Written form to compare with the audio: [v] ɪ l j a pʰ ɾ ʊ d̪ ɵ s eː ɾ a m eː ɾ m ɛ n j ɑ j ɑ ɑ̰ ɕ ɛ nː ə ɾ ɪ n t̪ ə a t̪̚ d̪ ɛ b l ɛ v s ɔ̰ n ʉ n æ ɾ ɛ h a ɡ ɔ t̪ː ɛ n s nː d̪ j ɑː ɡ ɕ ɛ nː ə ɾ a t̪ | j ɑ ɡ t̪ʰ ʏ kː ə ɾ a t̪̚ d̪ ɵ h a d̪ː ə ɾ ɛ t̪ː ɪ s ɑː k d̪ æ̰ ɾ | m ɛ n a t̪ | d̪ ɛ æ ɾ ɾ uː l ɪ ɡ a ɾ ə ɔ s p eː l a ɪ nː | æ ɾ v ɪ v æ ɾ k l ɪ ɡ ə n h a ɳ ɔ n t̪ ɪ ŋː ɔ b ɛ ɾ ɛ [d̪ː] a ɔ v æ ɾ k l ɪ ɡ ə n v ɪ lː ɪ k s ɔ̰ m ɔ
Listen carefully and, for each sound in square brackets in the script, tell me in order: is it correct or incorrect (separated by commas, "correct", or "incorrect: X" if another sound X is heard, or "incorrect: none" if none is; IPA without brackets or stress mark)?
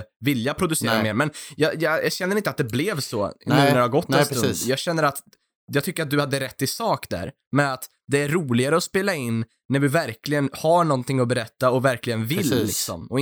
correct, incorrect: t̪ː